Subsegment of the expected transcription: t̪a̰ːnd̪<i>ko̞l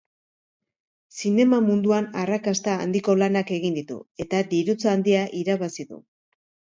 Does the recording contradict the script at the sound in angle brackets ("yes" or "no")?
no